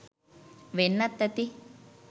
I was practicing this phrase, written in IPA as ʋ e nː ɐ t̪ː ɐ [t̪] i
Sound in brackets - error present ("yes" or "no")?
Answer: no